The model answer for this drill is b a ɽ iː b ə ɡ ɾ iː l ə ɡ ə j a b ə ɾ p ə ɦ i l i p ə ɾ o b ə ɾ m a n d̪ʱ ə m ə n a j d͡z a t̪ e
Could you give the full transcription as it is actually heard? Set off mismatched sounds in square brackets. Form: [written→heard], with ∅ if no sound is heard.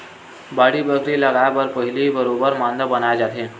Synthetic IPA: b a ɽ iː b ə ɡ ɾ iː l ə ɡ [ə→a] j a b ə ɾ p ə ɦ i l i [p→b] ə ɾ o b ə ɾ m a n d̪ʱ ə [m→b] ə n a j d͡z a t̪ e